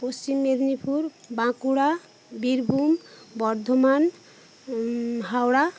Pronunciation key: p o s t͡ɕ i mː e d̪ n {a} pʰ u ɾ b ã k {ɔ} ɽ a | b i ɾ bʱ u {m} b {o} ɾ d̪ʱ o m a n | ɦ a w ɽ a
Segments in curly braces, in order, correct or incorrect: incorrect, incorrect, correct, incorrect

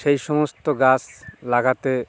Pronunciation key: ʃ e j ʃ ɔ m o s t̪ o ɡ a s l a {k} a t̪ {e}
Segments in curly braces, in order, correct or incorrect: incorrect, correct

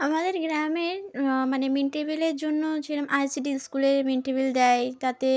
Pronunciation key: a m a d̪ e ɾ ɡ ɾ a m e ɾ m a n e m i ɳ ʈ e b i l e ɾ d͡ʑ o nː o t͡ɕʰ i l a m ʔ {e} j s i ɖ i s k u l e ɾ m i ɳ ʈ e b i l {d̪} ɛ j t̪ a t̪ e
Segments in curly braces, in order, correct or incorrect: incorrect, correct

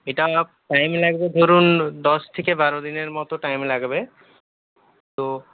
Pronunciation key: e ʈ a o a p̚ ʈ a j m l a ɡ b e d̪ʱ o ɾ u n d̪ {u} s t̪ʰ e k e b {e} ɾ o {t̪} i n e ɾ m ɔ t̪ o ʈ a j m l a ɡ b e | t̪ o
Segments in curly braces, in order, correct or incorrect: incorrect, incorrect, incorrect

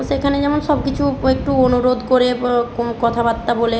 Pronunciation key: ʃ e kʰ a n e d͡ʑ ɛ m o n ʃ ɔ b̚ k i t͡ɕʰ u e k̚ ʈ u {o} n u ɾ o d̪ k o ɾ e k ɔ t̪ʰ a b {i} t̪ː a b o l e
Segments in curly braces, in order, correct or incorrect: correct, incorrect

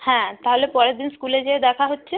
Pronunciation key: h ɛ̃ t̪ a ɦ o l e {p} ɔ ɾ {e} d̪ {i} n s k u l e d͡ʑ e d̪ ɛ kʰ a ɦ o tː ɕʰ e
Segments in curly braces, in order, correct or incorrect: correct, correct, correct

